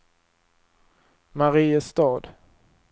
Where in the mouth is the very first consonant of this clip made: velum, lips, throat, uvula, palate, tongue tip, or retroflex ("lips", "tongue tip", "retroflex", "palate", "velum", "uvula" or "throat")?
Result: lips